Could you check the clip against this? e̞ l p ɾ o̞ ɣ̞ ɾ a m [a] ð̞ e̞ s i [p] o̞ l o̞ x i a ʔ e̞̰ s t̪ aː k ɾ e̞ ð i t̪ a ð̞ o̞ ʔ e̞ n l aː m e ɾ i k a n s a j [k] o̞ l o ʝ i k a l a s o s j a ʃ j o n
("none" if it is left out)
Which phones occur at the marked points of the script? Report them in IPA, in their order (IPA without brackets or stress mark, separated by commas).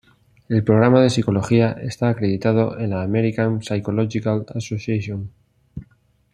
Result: a, k, k